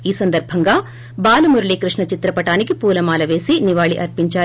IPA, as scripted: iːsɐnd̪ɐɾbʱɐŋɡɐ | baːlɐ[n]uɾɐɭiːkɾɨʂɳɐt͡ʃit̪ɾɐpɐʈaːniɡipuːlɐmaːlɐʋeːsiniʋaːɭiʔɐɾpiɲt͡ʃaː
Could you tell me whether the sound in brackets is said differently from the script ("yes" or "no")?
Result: yes